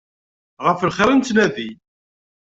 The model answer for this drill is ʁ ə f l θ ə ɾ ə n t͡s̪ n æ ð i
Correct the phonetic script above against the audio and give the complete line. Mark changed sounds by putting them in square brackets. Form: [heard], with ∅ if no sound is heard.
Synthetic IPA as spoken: ʁ ə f l [χ] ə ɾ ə n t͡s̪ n æ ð i